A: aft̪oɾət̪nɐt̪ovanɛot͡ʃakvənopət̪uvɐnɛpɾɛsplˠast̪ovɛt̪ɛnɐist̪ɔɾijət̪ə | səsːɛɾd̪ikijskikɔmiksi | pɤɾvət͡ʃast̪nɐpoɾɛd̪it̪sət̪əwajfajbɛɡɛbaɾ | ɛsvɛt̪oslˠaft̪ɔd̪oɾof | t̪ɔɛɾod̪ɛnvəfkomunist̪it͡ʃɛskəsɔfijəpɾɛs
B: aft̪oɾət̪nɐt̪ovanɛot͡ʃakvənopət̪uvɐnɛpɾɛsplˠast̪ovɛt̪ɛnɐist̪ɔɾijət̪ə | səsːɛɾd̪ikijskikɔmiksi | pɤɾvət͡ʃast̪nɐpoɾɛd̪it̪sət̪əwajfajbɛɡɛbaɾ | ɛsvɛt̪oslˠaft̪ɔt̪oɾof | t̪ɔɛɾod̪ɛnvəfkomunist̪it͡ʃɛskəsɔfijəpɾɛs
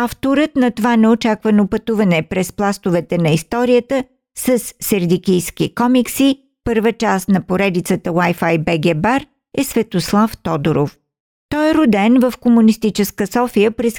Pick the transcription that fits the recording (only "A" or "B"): A